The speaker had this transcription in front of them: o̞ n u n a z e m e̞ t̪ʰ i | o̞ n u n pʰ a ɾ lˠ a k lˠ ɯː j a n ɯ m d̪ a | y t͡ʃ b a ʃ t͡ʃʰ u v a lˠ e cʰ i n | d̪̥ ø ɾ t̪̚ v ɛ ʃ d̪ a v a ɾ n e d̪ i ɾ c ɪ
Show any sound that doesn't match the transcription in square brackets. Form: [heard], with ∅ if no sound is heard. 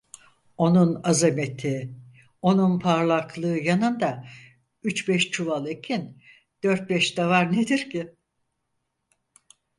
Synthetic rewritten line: o̞ n u n a z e m e̞ t̪ʰ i | o̞ n u n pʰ a ɾ lˠ a k lˠ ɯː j a n ɯ [n] d̪ a | y t͡ʃ b [ɛ] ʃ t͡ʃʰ u v a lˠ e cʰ i n | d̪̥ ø ɾ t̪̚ [b] ɛ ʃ d̪ a v a ɾ n e d̪ i ɾ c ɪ